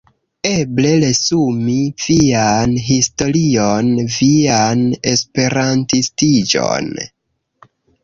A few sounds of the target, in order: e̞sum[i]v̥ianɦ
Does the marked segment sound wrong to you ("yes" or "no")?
no